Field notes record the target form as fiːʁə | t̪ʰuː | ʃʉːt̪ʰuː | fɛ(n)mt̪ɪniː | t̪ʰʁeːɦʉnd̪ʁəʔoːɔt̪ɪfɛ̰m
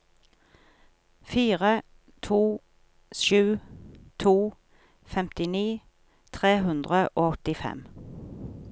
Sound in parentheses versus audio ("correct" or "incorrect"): incorrect